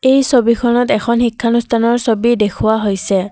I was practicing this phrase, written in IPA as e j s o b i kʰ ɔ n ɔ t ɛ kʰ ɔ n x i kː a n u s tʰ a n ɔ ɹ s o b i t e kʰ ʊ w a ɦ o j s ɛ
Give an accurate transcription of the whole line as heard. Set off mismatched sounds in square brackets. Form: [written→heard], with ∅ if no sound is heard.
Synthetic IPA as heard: e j s o b i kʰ ɔ n ɔ t ɛ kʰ ɔ n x i [kː→kʰː] a n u s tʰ a n ɔ ɹ s o b i [t→d] e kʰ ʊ w a ɦ o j s ɛ